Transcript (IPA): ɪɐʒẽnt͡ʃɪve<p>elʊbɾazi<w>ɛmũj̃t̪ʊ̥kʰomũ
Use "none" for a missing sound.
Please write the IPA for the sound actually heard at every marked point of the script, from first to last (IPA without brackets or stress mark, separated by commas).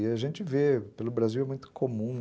p, w